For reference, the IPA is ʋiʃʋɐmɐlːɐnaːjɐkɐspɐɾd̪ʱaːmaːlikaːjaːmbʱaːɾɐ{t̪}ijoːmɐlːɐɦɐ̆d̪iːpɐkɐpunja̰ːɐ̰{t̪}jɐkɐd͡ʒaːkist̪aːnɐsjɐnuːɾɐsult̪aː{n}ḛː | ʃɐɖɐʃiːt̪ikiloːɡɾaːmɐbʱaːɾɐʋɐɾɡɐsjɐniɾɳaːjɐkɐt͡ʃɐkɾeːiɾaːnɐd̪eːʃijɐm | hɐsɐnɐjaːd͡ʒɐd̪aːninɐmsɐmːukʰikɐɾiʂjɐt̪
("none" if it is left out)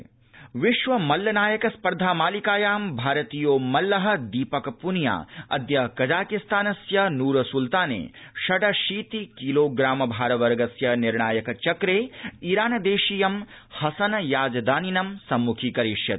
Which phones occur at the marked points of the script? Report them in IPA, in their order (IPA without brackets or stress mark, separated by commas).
t̪, d̪, n